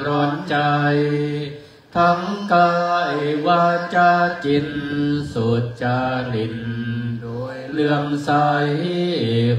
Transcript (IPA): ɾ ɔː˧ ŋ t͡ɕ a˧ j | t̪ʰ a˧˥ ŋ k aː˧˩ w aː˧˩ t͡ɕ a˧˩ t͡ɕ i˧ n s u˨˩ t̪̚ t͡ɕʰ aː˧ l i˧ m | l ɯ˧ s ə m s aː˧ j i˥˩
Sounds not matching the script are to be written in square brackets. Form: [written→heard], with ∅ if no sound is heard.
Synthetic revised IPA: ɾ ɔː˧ [ŋ→n] t͡ɕ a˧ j | t̪ʰ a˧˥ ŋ k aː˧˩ w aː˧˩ t͡ɕ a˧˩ t͡ɕ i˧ n s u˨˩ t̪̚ [t͡ɕʰ→t͡ɕ] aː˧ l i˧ [m→n] | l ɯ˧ [s→∅] ə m s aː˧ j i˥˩